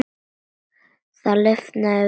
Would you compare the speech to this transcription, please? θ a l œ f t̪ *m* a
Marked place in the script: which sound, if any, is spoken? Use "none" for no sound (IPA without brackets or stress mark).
n